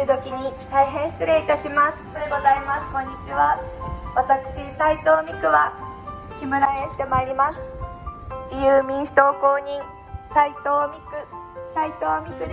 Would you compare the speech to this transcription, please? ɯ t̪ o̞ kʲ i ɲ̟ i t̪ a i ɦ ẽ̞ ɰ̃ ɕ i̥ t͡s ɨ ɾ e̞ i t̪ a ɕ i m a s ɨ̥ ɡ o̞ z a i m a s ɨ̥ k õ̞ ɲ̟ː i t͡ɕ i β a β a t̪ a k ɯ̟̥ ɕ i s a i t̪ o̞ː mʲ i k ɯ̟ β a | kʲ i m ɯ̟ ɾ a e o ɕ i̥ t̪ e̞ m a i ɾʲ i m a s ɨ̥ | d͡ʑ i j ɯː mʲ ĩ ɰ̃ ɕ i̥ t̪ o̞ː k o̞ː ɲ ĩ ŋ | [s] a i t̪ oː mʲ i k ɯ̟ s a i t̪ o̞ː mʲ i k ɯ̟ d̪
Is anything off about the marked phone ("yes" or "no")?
no